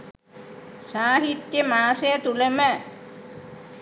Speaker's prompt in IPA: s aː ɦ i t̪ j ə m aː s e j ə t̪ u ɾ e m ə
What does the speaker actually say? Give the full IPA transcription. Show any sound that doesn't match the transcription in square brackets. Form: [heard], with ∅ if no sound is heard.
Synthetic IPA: s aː ɦ i t̪ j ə m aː s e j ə t̪ u [l] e m ə

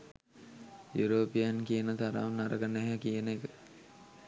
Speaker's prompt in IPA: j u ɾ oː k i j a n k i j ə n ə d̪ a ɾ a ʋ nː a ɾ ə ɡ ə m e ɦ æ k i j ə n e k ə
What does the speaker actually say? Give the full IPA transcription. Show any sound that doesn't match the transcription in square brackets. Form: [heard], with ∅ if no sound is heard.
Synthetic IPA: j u ɾ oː [p] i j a n k i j ə n ə [t̪] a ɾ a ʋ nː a ɾ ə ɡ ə [n] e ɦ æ k i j ə n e k ə

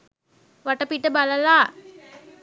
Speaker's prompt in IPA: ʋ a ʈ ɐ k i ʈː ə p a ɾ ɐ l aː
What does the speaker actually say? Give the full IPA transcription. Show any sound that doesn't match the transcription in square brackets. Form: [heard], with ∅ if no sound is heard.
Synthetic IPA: ʋ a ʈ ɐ [p] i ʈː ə [b] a [l] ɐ l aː

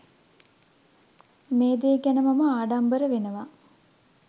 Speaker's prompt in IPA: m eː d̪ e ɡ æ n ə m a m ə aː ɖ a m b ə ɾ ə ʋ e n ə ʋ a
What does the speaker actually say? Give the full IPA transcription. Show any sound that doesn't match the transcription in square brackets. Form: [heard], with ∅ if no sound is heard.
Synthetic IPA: m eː d̪ e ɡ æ n ə m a m ə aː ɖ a m b ə ɾ ə ʋ e n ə ʋ a

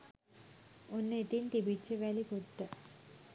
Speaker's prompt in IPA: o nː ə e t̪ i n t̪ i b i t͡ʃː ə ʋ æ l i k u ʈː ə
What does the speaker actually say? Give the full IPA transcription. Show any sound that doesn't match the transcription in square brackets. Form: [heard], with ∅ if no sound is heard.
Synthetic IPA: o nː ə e t̪ i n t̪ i b i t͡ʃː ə ʋ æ l i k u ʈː ə

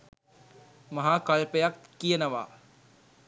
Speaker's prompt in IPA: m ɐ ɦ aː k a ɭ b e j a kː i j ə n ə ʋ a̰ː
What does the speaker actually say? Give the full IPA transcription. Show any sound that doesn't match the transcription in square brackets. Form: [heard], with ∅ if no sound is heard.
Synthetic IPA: m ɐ ɦ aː k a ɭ [p] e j a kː i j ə n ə ʋ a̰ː

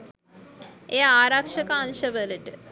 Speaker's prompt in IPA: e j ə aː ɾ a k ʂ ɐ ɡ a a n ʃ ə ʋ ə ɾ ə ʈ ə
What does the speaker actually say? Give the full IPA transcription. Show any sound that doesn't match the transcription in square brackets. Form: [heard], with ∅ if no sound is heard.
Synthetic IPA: e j [a] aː ɾ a k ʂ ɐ [k] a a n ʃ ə ʋ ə [l] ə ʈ ə

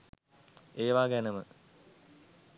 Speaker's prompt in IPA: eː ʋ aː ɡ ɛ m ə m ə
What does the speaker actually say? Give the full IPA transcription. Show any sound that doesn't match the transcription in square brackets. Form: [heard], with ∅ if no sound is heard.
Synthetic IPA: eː ʋ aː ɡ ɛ [n] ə m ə

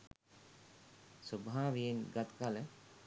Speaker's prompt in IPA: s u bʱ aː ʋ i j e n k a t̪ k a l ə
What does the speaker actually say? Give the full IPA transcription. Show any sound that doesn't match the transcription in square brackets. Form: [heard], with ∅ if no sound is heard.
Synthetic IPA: s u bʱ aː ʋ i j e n [ɡ] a t̪ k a l ə

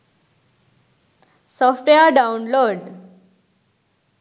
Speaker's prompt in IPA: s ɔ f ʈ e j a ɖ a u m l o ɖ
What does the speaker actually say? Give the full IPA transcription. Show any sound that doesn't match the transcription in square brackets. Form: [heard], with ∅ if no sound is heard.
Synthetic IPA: s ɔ f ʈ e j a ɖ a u [n] l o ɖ

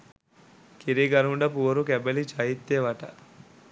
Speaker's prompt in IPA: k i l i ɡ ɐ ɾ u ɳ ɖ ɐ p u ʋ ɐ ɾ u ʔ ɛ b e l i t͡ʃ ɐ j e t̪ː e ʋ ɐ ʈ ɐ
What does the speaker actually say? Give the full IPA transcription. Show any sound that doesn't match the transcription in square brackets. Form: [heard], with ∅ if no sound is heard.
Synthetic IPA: k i [ɾ] i ɡ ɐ ɾ u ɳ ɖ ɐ p u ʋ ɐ ɾ u [k] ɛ b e l i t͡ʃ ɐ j [i] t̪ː e ʋ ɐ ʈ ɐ

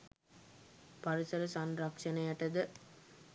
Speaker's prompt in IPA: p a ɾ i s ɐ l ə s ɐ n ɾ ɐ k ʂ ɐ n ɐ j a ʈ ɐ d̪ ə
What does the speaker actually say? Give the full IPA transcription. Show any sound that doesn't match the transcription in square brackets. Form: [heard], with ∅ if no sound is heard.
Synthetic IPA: p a ɾ i s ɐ [ɾ] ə s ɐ n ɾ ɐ k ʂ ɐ n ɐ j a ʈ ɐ d̪ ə

